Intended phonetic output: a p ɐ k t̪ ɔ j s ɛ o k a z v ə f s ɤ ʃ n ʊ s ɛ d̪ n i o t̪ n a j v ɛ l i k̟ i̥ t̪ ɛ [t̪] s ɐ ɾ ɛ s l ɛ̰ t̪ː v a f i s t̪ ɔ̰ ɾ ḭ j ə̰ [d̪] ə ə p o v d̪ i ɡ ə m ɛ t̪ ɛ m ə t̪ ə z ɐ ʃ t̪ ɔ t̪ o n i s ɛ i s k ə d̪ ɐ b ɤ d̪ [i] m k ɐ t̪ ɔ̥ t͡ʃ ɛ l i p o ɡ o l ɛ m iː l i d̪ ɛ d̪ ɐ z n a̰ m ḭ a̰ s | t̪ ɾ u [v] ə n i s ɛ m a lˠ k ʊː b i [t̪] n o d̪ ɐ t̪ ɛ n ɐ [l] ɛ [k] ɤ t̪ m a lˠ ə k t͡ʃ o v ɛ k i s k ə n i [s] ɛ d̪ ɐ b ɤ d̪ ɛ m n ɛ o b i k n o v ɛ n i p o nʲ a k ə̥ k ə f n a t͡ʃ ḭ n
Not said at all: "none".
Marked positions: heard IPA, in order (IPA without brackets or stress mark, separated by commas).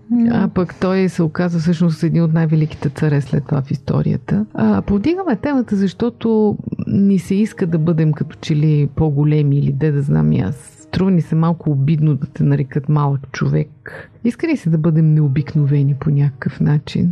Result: t̪, t̪, ɛ, v, d̪, ɾ, k, s